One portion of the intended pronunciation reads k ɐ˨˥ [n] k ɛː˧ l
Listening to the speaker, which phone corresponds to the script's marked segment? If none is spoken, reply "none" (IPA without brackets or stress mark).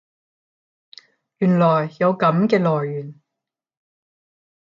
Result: m